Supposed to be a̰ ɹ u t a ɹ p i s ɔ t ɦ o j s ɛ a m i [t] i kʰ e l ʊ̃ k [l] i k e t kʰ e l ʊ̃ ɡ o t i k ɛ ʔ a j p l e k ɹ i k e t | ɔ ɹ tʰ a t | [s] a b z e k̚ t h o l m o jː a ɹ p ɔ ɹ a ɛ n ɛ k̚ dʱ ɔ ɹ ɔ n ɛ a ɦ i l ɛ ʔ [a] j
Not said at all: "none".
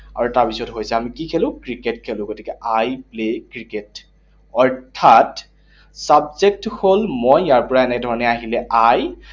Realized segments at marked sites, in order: k, ɹ, s, a

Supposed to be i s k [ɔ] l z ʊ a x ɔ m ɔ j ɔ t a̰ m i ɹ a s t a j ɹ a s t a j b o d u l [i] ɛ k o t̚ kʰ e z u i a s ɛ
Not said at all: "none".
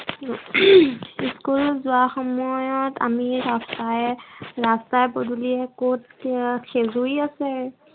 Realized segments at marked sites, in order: u, i

